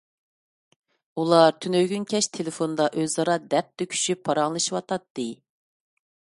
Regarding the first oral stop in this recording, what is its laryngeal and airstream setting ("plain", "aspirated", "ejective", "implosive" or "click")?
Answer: aspirated